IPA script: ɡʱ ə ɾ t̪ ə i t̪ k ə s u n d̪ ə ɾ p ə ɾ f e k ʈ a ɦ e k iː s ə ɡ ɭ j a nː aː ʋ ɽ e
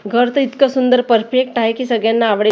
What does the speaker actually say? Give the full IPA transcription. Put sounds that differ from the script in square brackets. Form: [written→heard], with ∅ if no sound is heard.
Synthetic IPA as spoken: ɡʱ ə ɾ t̪ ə i t̪ k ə s u n d̪ ə ɾ p ə ɾ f e k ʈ a ɦ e k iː s ə ɡ ɭ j a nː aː ʋ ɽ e